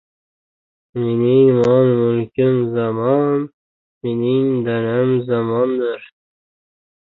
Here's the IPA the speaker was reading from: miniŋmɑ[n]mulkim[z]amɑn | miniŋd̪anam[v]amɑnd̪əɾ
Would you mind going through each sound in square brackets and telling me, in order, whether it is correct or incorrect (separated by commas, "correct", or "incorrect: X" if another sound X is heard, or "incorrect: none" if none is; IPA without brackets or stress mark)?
correct, correct, incorrect: z